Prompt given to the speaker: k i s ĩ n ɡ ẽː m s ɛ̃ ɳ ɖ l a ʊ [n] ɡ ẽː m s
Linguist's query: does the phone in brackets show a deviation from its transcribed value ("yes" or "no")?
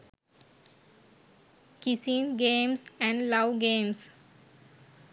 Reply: yes